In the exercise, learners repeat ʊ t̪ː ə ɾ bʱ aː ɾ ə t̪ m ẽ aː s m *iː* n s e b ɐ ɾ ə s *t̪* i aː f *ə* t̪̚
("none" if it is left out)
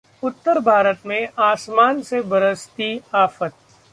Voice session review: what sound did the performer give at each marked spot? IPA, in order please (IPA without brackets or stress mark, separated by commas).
aː, t̪, ə